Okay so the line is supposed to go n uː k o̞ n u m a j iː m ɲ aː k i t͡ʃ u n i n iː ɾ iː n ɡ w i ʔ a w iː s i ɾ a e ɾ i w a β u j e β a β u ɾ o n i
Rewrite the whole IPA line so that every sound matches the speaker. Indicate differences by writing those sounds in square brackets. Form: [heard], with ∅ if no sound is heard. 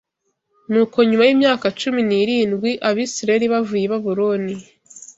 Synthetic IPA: n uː k o̞ [ɲ] u m a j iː m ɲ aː k [a] t͡ʃ u [m] i n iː ɾ iː n ɡ w i ʔ a [β] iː s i ɾ a e ɾ i [β] a [v] u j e β a β u ɾ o n i